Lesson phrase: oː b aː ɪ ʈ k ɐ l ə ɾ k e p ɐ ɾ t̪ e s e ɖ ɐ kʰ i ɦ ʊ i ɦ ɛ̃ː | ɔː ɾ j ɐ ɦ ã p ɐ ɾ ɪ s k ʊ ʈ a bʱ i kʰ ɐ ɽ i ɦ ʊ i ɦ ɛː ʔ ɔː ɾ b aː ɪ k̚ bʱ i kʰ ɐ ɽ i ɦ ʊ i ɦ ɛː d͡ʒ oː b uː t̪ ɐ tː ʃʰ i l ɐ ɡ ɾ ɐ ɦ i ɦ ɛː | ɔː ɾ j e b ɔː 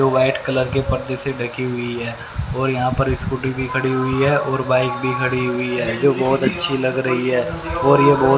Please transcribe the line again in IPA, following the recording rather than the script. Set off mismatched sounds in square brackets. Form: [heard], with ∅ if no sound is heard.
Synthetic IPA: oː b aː ɪ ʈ k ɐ l ə ɾ k e p ɐ ɾ [d̪] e s e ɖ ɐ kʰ i ɦ ʊ i ɦ [ɛː] | ɔː ɾ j ɐ ɦ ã p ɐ ɾ ɪ s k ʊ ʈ [i] bʱ i kʰ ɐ ɽ i ɦ ʊ i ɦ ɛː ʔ ɔː ɾ b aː ɪ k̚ bʱ i kʰ ɐ ɽ i ɦ ʊ i ɦ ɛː d͡ʒ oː b [ɔː] t̪ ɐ tː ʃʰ i l ɐ ɡ ɾ ɐ ɦ i ɦ ɛː | ɔː ɾ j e b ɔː

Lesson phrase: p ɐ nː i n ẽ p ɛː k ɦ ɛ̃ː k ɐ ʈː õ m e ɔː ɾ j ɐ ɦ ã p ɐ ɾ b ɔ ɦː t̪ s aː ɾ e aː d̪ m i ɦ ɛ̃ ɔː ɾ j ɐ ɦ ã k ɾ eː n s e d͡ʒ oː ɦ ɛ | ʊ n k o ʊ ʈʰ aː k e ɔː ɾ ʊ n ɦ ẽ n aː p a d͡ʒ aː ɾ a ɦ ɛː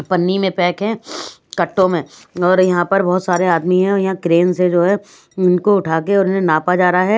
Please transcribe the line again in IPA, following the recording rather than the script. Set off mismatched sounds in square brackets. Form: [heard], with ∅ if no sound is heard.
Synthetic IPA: p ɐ nː i [m] ẽ p ɛː k ɦ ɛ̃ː k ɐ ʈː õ m [ẽ] ɔː ɾ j ɐ ɦ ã p ɐ ɾ b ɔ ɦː t̪ s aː ɾ e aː d̪ m i ɦ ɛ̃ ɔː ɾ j ɐ ɦ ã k ɾ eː n s e d͡ʒ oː ɦ ɛ | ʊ n k o ʊ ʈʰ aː k e ɔː ɾ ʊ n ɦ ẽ n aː p a d͡ʒ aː ɾ a ɦ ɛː

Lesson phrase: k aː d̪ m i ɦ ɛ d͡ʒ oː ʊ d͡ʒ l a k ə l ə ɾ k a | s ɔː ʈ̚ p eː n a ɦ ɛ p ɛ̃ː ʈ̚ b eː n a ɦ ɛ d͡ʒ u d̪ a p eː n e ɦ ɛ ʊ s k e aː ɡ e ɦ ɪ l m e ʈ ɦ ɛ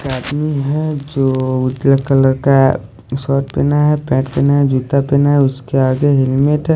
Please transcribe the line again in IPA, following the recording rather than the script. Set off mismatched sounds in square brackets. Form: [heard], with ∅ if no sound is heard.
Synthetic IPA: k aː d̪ m i ɦ ɛ d͡ʒ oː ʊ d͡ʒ l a k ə l ə ɾ k a | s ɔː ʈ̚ p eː n a ɦ ɛ p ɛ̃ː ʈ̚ [p] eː n a ɦ ɛ d͡ʒ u [t̪] a p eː n [a] ɦ ɛ ʊ s k e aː ɡ e ɦ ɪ l m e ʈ ɦ ɛ

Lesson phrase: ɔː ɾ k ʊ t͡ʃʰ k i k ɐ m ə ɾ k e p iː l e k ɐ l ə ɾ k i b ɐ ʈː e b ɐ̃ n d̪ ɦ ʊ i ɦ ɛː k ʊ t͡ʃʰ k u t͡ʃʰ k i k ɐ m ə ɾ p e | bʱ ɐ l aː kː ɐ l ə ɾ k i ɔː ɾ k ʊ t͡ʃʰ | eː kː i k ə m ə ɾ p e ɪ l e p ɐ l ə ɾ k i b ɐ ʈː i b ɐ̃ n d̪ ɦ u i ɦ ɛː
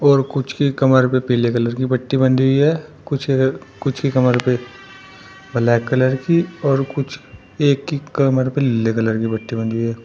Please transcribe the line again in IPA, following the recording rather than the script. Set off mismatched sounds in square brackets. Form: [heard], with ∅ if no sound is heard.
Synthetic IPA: ɔː ɾ k ʊ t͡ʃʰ k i k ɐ m ə ɾ [p] e p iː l e k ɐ l ə ɾ k i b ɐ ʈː [i] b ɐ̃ n d̪ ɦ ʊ i ɦ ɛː k ʊ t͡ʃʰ k [ʊ] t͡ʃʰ k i k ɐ m ə ɾ p e | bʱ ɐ l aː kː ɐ l ə ɾ k i ɔː ɾ k ʊ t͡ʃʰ | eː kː i k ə m ə ɾ p e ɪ l e [k] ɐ l ə ɾ k i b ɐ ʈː i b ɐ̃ n d̪ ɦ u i ɦ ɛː

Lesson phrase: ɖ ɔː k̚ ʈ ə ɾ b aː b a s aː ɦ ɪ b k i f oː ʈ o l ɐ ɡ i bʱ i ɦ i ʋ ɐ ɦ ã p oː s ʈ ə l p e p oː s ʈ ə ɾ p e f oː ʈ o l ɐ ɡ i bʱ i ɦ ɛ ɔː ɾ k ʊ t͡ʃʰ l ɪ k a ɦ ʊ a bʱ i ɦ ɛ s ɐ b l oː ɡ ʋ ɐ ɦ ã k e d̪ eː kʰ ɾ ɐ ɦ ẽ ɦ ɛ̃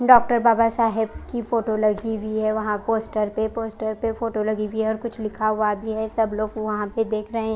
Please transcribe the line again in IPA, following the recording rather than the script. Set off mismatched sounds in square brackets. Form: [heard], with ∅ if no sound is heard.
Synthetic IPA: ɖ ɔː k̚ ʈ ə ɾ b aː b a s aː ɦ ɪ b k i f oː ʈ o l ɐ ɡ i bʱ i ɦ [ɛ] ʋ ɐ ɦ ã p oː s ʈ ə [ɾ] p e p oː s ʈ ə ɾ p e f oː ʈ o l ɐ ɡ i bʱ i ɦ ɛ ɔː ɾ k ʊ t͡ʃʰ l ɪ [kʰ] a ɦ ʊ a bʱ i ɦ ɛ s ɐ b l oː ɡ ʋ ɐ ɦ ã [p] e d̪ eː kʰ ɾ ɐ ɦ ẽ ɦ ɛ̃

